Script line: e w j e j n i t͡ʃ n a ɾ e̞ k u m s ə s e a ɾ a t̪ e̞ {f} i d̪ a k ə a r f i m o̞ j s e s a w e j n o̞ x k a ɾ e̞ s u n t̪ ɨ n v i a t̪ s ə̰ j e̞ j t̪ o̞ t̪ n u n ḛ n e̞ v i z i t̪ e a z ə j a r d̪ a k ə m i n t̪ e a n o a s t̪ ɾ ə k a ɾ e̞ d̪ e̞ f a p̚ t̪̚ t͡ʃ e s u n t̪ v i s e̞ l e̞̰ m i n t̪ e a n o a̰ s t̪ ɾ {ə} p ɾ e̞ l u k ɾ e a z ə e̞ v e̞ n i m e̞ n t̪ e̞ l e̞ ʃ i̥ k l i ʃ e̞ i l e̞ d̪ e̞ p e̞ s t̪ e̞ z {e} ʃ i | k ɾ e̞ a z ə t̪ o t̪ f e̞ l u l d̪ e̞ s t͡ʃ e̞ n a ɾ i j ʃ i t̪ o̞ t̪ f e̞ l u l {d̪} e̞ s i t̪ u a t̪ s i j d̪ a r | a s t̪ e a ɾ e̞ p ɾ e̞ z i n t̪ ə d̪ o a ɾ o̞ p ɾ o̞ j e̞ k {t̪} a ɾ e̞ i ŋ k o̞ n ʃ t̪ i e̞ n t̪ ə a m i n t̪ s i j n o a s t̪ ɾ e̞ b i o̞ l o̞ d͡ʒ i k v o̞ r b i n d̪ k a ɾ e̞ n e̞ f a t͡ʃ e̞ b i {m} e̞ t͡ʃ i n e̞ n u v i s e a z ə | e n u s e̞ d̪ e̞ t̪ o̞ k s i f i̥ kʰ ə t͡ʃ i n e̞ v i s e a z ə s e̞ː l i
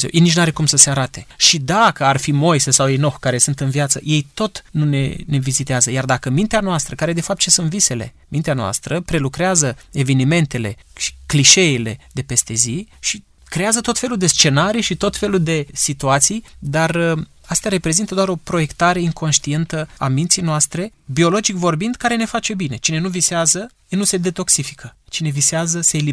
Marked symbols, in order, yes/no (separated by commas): no, yes, no, yes, yes, no